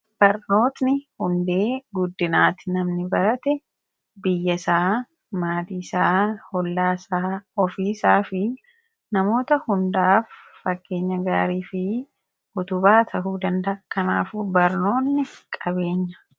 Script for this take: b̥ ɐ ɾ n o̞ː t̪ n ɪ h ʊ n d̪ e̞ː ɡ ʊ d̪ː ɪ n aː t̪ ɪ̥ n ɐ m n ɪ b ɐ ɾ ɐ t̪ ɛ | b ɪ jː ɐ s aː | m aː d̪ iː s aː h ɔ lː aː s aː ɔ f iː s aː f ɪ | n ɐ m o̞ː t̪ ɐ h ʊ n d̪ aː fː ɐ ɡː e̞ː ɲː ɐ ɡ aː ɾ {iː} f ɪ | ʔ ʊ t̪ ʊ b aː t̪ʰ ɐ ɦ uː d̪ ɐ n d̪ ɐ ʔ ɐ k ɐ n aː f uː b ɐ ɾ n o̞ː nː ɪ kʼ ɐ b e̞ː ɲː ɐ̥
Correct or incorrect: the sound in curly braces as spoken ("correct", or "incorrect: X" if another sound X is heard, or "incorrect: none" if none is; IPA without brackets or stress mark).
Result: correct